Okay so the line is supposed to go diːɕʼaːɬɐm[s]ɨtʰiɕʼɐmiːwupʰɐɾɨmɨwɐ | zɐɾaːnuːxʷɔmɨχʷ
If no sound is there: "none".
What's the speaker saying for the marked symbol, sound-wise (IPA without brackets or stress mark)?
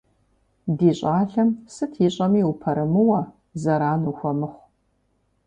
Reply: s